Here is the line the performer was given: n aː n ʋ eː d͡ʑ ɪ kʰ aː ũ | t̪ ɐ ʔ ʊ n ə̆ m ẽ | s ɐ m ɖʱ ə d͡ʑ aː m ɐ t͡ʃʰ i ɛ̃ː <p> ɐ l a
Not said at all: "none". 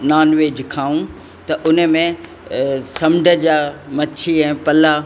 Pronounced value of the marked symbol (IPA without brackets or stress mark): p